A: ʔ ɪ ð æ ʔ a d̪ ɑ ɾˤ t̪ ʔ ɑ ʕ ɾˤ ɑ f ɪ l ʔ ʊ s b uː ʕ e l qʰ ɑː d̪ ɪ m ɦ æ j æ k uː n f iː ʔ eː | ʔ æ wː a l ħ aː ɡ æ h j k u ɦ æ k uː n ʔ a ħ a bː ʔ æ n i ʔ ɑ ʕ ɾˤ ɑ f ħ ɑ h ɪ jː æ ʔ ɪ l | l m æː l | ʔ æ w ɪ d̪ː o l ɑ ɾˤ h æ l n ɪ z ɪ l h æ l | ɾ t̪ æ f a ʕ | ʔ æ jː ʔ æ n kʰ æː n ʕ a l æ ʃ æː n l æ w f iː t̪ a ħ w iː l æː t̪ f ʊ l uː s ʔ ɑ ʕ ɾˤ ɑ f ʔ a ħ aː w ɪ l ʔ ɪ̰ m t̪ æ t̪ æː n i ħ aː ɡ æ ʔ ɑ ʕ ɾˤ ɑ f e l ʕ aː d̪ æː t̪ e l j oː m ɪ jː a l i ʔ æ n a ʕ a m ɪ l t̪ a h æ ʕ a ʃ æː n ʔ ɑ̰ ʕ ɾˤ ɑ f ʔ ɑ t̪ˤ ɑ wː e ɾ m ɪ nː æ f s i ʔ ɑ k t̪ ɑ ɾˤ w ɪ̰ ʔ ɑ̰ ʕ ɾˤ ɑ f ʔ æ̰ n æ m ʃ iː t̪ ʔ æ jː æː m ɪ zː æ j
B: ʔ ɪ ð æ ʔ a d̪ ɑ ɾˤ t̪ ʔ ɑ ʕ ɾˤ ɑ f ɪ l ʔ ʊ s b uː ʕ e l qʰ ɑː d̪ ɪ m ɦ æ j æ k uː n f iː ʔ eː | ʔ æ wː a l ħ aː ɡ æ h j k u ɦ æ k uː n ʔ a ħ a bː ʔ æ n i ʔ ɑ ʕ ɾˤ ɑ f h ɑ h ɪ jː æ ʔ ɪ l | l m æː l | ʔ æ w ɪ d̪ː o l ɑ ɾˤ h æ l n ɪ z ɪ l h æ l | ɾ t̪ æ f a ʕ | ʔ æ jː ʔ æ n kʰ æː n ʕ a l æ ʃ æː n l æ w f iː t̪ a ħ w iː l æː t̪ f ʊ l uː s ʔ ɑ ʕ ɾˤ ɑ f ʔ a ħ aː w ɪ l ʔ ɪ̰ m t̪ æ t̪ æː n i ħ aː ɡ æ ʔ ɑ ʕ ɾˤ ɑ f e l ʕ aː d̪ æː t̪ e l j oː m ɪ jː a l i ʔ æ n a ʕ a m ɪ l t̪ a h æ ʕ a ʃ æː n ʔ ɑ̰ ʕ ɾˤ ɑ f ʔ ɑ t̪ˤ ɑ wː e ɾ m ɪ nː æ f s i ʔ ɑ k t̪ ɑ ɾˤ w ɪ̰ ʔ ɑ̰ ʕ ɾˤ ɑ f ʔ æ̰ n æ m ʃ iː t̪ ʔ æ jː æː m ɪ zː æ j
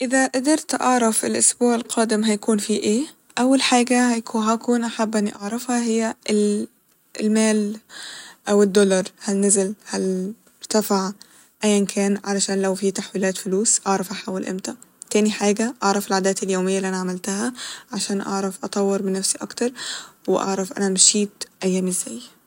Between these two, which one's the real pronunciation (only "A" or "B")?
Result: B